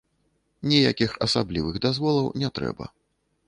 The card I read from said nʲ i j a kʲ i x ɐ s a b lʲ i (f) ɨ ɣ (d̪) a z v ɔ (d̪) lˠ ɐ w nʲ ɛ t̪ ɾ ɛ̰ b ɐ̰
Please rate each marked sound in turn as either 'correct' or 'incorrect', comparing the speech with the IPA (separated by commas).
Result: incorrect, correct, incorrect